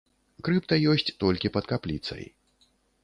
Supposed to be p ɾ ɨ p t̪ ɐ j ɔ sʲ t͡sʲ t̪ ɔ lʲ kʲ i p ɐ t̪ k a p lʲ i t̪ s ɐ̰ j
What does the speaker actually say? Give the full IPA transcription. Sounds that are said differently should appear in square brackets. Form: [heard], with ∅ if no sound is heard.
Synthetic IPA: [k] ɾ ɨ p t̪ ɐ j ɔ sʲ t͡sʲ t̪ ɔ lʲ kʲ i p ɐ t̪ k a p lʲ i t̪ s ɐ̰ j